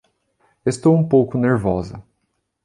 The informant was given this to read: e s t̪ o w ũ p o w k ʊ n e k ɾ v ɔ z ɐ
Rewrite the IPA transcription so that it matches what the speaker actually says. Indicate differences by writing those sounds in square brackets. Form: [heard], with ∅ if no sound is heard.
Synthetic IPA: e s t̪ o w ũ p o w k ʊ n e [∅] ɾ v ɔ z ɐ

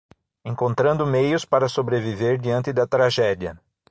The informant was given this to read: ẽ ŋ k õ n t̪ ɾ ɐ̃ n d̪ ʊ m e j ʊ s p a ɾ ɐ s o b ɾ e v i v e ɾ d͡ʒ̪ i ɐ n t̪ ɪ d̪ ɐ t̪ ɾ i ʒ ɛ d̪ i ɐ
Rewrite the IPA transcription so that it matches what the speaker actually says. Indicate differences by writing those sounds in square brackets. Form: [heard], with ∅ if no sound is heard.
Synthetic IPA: ẽ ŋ k õ n t̪ ɾ ɐ̃ n d̪ ʊ m e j ʊ s p a ɾ ɐ s o b ɾ e v i v e ɾ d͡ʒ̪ i [ɐ̃] n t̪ ɪ d̪ ɐ t̪ ɾ [a] ʒ ɛ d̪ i ɐ

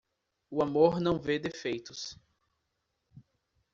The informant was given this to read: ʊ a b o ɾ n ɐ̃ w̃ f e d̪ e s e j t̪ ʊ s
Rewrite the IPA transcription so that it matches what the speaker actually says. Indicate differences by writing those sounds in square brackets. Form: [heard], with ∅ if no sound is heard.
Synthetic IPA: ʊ a [m] o ɾ n ɐ̃ w̃ [v] e d̪ e [f] e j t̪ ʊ s

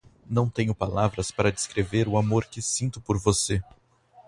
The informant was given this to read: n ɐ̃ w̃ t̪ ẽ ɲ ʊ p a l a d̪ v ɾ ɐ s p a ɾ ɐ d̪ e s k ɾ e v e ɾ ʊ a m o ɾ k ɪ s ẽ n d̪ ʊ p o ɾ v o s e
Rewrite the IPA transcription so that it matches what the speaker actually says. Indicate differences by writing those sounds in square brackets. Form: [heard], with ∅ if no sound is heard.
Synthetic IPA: n ɐ̃ w̃ t̪ ẽ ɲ ʊ p a l a [∅] v ɾ ɐ s p a ɾ ɐ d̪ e s k ɾ e v e ɾ ʊ a m o ɾ k ɪ s [ĩ] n [t̪] ʊ p o ɾ v o s e

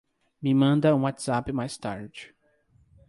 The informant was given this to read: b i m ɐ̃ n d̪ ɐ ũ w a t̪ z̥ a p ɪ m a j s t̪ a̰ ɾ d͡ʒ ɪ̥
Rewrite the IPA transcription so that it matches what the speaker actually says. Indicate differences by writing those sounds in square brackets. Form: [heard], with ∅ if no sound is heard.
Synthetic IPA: [m] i m ɐ̃ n d̪ ɐ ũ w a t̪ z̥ a p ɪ m a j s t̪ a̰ ɾ d͡ʒ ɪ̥

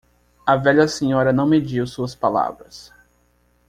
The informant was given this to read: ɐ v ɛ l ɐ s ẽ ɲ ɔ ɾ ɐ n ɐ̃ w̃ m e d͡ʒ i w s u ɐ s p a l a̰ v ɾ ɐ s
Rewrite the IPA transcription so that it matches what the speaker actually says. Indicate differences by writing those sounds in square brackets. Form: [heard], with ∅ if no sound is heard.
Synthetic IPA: ɐ v ɛ [ʎ] ɐ s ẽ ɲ ɔ ɾ ɐ n ɐ̃ w̃ m e d͡ʒ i w s u ɐ s p a l a̰ v ɾ ɐ s

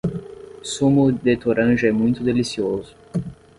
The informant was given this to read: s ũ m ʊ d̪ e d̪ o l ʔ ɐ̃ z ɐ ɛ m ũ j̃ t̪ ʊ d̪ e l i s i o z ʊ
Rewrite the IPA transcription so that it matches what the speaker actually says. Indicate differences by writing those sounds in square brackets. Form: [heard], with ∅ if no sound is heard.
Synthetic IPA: s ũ m ʊ d̪ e [t̪] o [ɾ] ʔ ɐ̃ [ʒ] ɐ ɛ m ũ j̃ t̪ ʊ d̪ e l i s i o z ʊ

